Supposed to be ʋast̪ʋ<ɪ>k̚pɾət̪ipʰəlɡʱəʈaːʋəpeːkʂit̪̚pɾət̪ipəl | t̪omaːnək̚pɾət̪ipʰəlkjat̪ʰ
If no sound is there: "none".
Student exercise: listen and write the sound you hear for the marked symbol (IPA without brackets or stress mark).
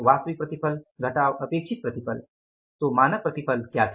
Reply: i